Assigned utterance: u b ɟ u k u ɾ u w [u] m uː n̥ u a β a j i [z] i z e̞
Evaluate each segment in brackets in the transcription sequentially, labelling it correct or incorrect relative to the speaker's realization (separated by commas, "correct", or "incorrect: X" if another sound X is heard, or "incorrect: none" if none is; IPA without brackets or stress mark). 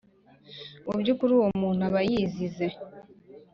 incorrect: o, correct